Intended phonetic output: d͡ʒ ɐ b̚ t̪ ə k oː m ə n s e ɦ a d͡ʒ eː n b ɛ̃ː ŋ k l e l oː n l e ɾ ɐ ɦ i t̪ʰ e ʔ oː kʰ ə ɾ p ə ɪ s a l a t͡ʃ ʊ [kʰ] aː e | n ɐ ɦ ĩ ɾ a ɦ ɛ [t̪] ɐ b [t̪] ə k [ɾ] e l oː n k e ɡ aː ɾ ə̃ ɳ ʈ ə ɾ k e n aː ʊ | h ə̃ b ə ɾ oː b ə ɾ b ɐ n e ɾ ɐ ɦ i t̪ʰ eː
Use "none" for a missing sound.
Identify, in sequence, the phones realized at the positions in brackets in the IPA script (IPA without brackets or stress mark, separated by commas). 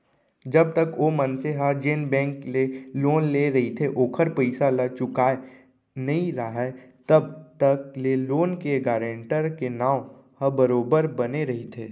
k, t̪, t̪, l